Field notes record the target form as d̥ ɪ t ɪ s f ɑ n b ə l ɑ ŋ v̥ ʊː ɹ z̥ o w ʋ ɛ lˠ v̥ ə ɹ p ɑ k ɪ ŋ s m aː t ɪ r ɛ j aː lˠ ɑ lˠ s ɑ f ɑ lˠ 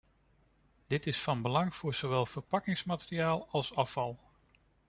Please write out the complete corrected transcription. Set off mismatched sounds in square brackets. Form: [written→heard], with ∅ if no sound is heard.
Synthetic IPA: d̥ ɪ t ɪ s f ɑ n b ə l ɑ ŋ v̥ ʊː ɹ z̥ o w ʋ ɛ lˠ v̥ ə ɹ p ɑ k ɪ ŋ s m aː t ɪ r [ɛ→i] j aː lˠ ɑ lˠ s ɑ f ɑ lˠ

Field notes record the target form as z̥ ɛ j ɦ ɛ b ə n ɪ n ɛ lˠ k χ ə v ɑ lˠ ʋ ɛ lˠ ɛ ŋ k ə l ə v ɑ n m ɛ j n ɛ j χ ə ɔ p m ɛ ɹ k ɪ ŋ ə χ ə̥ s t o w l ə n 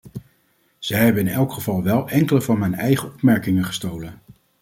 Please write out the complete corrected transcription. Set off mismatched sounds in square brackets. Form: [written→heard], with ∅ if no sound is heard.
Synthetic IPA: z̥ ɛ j ɦ ɛ b ə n ɪ n ɛ lˠ k χ ə v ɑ lˠ ʋ ɛ lˠ ɛ ŋ k ə l ə v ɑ n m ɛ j n ɛ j χ ə ɔ p m ɛ ɹ k ɪ ŋ ə χ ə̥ s t o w l ə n

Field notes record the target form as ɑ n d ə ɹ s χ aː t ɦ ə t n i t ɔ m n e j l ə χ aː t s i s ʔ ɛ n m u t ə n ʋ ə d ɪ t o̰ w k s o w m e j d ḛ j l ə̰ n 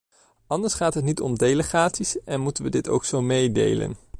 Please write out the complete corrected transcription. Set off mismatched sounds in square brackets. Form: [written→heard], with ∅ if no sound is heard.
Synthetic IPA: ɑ n d ə ɹ s χ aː t ɦ ə t n i t ɔ m [n→d] e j l ə χ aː t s i s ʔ ɛ n m u t ə n ʋ ə d ɪ t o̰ w k s o w m e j d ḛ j l ə̰ n

